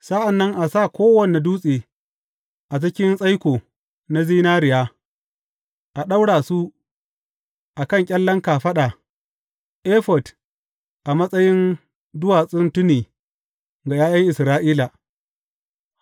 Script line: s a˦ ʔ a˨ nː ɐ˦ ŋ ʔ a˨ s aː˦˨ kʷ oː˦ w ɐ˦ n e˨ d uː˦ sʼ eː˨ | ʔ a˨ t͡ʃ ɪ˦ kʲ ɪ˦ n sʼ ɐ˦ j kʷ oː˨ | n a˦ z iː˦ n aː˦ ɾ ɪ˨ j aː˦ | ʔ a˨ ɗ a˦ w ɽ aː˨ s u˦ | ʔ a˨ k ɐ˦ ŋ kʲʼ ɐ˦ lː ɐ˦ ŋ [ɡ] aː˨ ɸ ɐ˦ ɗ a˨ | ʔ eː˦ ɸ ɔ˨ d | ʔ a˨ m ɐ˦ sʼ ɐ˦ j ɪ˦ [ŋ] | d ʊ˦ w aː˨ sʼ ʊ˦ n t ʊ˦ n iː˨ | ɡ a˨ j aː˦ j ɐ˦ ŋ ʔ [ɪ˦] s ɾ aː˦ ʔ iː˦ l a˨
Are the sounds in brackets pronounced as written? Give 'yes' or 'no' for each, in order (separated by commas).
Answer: no, no, no